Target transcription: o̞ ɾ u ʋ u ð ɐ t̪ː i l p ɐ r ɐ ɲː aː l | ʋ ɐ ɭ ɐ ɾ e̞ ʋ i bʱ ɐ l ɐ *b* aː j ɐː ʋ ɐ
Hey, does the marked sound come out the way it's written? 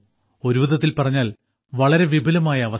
no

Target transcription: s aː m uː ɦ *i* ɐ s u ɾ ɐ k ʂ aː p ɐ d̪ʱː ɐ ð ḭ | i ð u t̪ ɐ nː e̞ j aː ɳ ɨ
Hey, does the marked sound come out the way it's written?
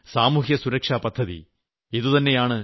no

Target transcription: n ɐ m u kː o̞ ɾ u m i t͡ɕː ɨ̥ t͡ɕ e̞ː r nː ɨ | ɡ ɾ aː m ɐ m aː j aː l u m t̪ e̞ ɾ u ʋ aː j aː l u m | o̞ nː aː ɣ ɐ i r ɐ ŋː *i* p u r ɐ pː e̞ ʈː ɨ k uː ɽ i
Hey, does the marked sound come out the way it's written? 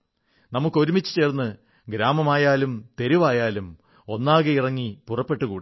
yes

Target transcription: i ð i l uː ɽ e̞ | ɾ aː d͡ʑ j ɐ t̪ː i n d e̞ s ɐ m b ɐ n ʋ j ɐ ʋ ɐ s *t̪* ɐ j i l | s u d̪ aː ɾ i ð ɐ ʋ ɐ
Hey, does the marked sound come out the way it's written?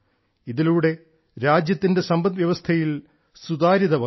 no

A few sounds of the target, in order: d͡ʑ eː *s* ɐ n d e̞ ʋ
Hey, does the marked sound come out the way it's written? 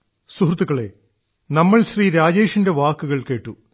no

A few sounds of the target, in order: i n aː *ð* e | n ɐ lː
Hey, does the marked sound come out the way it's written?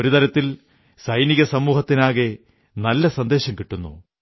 no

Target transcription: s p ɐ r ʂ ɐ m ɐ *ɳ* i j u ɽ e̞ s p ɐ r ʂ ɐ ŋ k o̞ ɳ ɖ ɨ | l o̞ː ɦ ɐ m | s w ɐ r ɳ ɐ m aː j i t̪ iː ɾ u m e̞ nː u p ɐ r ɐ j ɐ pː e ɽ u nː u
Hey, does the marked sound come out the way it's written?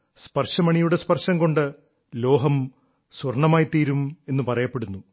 yes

